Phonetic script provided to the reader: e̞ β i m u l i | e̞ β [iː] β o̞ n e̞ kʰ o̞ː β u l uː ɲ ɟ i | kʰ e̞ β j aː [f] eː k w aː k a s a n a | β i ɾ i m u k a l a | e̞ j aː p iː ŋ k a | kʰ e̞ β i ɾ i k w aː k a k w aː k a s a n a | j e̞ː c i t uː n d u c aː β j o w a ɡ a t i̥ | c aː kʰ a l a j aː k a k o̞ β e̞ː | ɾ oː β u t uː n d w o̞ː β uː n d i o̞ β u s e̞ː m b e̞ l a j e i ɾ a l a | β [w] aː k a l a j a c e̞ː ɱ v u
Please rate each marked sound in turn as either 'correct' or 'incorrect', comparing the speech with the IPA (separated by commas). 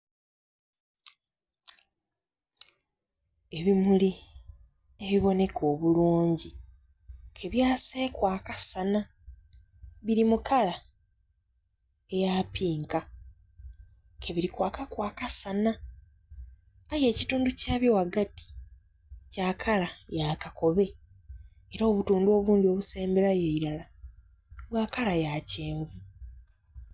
incorrect, incorrect, correct